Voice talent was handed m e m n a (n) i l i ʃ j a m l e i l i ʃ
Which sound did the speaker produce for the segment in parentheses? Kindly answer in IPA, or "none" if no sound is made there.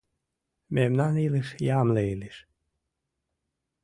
n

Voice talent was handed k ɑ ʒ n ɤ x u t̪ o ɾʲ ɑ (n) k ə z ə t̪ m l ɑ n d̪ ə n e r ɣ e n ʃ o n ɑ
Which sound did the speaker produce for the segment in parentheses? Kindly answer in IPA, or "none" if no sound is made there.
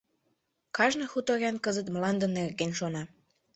n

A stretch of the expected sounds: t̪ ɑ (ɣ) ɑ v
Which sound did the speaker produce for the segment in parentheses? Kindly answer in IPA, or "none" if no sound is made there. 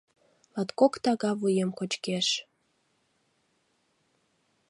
ɣ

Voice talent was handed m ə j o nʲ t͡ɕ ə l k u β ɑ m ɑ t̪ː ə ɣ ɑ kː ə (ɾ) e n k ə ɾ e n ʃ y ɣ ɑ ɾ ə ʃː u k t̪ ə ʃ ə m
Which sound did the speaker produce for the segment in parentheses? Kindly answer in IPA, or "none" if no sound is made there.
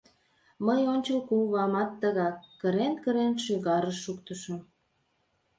ɾ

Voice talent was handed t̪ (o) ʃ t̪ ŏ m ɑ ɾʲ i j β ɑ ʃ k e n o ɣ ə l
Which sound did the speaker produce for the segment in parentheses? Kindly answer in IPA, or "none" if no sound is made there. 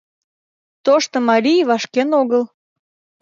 o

